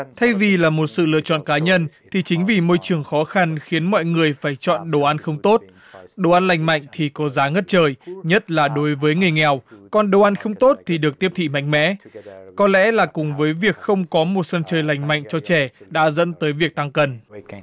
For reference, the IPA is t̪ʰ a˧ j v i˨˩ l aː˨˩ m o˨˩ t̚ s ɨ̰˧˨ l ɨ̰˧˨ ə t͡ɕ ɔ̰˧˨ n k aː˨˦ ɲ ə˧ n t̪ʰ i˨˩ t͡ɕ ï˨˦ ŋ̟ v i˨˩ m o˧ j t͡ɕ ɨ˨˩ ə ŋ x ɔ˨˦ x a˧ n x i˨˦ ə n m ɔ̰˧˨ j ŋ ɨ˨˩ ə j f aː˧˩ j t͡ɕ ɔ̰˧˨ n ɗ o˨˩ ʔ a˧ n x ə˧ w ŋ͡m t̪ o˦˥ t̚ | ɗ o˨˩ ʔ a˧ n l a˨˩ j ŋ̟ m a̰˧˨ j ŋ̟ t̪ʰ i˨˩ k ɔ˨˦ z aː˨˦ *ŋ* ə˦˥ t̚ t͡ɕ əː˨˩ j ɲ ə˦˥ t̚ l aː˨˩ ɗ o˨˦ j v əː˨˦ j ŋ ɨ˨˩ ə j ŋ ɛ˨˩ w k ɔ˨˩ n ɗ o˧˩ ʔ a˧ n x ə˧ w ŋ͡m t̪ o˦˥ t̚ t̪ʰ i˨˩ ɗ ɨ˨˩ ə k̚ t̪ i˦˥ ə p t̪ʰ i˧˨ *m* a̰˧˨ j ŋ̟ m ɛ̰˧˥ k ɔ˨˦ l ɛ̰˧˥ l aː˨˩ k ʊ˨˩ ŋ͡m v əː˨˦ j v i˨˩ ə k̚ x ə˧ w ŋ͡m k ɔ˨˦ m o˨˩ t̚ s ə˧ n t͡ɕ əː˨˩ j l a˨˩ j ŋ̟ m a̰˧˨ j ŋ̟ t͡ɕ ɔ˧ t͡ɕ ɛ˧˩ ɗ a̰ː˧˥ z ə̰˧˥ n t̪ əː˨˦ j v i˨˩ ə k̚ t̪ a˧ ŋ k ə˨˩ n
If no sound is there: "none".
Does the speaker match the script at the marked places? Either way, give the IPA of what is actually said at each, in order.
ŋ, m

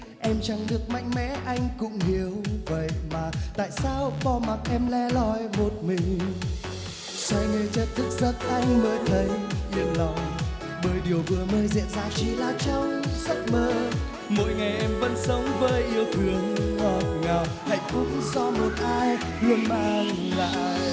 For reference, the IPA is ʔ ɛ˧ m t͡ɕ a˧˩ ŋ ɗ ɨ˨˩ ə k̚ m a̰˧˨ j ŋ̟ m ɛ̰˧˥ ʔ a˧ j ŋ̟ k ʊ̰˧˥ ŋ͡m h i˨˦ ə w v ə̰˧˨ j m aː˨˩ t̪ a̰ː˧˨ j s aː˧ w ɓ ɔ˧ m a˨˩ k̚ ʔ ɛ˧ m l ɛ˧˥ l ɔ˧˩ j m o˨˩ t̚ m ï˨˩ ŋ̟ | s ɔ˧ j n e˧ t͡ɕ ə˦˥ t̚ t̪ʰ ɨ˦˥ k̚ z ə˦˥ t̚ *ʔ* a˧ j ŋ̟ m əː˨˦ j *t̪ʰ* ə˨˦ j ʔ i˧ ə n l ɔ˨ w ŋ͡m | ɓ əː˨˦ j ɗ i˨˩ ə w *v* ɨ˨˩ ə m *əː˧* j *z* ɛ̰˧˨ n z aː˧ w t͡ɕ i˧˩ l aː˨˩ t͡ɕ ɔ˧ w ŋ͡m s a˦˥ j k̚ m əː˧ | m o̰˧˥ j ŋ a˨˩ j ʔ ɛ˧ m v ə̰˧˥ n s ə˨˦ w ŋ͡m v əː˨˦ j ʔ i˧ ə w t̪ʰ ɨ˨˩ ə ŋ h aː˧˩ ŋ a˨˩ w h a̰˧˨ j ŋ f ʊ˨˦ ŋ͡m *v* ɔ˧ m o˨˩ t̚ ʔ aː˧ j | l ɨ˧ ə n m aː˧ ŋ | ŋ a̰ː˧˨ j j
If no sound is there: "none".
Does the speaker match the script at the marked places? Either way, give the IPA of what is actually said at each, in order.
ʔ, t̪ʰ, v, əː˧, z, z

